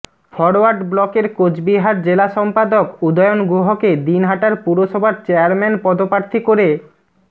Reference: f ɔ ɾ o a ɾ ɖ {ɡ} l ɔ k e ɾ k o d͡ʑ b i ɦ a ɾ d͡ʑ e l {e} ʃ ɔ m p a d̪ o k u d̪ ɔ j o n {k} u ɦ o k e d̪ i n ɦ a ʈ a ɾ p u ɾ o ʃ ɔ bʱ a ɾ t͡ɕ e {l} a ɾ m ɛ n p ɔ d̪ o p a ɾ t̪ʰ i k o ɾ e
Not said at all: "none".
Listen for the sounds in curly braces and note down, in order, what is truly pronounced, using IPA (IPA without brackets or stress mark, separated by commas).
b, a, ɡ, none